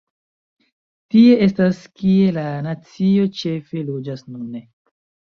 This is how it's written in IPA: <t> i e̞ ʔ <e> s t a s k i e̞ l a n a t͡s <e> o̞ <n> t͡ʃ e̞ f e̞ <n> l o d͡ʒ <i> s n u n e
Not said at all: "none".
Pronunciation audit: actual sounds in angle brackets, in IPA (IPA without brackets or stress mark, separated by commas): t, e, i, none, none, a